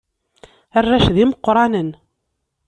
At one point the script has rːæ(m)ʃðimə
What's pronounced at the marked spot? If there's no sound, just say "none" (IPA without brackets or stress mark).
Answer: none